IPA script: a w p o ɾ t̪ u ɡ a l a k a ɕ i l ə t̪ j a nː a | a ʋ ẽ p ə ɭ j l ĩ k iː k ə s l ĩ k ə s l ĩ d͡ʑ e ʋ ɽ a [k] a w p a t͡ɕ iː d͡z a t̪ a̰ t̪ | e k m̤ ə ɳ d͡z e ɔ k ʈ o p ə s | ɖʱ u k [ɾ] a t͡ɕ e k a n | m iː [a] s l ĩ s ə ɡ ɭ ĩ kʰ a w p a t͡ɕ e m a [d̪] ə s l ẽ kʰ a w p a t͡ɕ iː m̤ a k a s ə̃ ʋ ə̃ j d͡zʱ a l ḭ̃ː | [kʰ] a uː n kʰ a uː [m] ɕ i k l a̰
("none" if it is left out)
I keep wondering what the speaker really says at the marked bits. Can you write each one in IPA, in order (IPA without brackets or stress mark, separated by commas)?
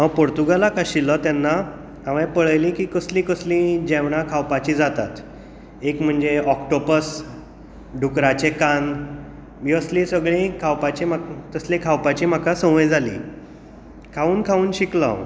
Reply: kʰ, ɾ, ə, t̪, kʰ, n